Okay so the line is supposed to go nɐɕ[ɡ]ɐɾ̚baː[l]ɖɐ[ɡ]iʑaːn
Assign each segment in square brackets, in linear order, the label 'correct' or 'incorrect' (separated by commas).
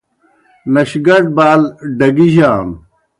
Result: correct, correct, correct